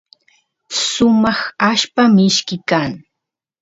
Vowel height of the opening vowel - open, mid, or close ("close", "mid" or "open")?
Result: close